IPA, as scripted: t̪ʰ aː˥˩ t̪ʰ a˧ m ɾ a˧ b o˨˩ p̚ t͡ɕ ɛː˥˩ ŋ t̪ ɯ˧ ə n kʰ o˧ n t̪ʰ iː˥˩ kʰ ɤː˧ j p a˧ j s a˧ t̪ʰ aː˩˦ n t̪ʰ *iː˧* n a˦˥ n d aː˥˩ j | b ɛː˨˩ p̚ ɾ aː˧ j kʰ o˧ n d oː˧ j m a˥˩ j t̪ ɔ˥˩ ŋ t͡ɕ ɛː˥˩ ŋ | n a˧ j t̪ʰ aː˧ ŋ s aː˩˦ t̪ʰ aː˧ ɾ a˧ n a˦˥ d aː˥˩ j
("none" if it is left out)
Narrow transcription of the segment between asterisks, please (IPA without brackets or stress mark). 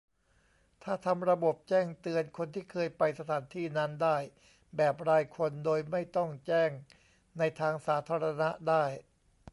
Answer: iː˥˩